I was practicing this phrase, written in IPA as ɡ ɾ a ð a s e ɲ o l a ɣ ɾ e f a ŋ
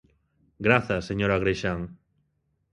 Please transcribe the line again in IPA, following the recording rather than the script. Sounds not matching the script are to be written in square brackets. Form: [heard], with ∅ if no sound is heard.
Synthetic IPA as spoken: ɡ ɾ a [θ] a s e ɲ o [ɾ] a ɣ ɾ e [ʃ] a ŋ